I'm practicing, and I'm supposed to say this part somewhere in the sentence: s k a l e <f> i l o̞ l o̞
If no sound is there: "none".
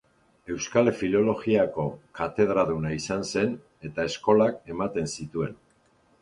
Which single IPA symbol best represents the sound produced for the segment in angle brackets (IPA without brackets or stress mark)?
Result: f